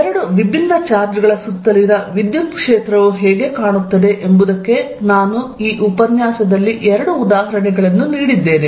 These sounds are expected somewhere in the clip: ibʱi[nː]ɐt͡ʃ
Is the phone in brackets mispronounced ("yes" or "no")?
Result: no